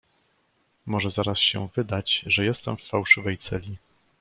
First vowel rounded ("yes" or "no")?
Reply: yes